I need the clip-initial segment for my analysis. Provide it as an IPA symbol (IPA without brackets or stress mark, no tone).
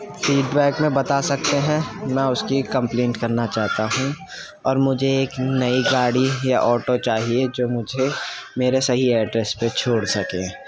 f